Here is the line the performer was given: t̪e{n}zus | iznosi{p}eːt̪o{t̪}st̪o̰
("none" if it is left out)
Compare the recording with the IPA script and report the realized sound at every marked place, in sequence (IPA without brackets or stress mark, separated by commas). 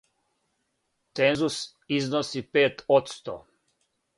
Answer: n, p, t̪